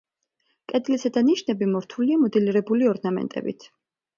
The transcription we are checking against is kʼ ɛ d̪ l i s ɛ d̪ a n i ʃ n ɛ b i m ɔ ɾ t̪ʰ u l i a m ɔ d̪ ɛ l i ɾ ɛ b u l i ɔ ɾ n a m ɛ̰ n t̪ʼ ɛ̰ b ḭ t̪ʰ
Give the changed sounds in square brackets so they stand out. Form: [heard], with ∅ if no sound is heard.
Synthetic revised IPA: kʼ ɛ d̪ l i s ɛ d̪ a n i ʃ n ɛ b i m ɔ ɾ t̪ʰ u l i a m ɔ d̪ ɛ l i ɾ ɛ b u l i ɔ ɾ n a m ɛ̰ n t̪ʼ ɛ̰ b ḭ t̪ʰ